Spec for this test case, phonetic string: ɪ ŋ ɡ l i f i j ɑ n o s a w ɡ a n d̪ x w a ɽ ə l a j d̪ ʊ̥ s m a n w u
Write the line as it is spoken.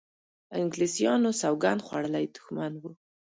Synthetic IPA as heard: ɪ ŋ ɡ l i s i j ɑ n o s a w ɡ a n d̪ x w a ɽ ə l a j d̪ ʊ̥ x m a n w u